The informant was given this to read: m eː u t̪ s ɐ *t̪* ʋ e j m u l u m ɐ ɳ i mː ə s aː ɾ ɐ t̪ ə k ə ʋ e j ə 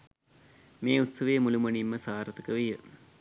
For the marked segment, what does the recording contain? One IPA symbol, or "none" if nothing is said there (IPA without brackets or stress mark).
none